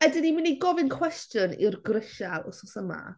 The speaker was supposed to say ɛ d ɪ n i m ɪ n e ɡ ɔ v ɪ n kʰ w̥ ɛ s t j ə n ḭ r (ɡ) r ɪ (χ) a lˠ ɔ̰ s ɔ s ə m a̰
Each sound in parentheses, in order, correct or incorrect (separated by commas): correct, incorrect